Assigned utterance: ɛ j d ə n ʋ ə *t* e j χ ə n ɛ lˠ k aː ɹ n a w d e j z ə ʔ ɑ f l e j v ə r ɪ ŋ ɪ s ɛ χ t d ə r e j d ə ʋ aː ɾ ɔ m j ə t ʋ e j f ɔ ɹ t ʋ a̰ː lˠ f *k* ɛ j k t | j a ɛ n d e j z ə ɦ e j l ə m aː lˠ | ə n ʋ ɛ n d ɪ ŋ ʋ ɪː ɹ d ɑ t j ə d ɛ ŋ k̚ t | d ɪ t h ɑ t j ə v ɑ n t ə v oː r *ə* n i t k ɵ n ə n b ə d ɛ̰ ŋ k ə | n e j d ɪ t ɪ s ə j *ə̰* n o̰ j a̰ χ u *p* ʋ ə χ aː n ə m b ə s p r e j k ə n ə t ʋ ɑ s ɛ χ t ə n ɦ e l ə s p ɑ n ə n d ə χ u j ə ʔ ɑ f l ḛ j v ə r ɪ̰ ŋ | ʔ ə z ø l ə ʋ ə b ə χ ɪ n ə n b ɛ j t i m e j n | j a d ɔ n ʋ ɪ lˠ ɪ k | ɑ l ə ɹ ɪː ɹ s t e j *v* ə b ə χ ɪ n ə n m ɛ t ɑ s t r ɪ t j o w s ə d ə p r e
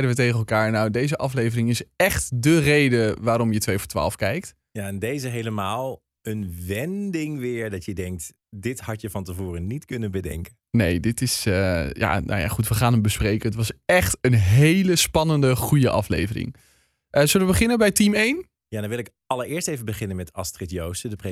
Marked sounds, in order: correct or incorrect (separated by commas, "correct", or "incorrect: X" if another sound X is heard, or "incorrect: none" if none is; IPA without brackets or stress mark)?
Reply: correct, correct, correct, incorrect: a̰, incorrect: t, correct